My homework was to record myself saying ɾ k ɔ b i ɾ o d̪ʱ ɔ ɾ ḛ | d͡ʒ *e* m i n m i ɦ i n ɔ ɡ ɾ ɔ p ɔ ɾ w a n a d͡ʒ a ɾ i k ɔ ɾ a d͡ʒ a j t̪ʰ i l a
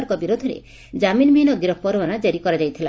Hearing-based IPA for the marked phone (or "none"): a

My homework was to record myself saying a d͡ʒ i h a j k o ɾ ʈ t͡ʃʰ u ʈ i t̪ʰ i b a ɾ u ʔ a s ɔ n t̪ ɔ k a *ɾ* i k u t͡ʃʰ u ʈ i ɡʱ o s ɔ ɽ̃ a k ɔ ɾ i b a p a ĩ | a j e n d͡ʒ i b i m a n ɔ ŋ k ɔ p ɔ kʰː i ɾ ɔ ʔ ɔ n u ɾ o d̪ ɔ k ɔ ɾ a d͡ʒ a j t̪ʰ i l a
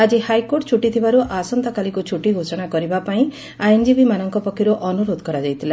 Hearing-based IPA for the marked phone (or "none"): l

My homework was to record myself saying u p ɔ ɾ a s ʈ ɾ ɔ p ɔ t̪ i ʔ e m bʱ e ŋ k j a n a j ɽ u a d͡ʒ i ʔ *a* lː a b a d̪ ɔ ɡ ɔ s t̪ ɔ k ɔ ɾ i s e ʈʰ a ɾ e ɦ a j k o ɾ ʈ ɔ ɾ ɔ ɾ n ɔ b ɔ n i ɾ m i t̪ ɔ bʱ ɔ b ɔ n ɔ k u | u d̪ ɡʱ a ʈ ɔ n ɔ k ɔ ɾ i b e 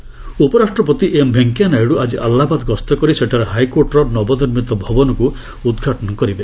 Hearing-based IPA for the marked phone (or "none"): a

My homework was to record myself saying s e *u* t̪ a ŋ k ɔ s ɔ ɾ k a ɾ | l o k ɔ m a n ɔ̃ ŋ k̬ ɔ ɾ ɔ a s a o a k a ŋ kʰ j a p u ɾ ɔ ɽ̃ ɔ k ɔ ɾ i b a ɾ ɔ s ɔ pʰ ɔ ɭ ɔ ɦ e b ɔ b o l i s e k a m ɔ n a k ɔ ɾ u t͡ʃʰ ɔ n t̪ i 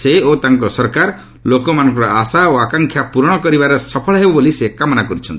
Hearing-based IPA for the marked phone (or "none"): o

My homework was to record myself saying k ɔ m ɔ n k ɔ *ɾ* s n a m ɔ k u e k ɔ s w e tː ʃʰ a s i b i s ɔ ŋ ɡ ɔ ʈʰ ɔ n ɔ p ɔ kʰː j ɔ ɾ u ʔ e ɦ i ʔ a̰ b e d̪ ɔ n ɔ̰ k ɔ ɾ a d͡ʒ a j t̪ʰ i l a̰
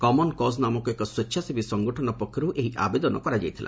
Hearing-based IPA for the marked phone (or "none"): none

